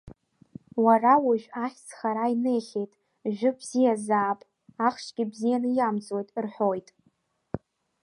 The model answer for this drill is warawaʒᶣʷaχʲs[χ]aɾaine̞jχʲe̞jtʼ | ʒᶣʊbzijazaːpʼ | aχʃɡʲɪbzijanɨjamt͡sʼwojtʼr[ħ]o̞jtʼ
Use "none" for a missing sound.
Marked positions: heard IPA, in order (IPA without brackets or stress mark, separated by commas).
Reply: χ, ħ